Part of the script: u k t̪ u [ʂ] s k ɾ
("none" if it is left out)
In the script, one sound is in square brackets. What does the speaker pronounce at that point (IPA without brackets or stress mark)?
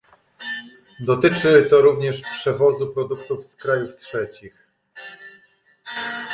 f